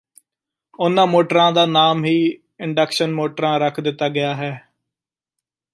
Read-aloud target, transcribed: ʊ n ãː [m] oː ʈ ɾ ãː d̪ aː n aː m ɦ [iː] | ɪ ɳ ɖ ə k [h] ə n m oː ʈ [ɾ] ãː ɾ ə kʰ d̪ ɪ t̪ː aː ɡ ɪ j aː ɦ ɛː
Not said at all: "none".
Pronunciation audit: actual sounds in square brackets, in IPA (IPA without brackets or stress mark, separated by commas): m, iː, ʃ, ɾ